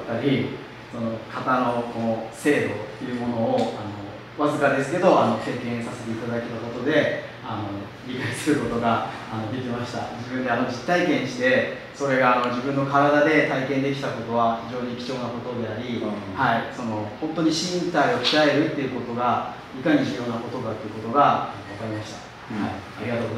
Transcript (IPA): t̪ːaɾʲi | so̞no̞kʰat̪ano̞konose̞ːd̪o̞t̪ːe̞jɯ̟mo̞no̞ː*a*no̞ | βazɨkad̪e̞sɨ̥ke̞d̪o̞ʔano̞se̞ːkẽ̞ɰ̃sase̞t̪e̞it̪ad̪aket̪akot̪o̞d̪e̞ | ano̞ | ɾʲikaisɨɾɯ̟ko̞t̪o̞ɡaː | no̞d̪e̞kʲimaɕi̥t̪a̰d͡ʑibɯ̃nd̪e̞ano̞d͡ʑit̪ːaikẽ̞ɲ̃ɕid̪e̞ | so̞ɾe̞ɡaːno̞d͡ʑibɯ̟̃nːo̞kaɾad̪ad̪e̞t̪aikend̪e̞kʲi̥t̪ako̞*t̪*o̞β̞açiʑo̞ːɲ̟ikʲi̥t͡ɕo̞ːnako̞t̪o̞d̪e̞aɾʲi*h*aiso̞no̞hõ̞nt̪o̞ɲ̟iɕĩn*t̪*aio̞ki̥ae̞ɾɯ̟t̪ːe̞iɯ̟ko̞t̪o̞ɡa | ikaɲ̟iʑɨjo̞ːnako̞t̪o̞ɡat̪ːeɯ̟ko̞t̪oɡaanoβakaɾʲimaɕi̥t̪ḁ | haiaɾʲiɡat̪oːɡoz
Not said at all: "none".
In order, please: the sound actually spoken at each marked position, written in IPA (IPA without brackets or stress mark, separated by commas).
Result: a, t̪, h, t̪